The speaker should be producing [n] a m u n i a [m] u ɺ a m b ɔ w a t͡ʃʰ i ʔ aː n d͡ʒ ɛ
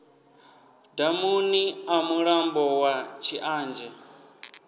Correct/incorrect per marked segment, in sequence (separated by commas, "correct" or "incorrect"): incorrect, correct